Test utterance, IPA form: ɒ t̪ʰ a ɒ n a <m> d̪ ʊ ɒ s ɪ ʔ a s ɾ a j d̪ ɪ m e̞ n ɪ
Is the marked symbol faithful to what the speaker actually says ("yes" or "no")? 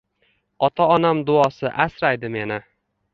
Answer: yes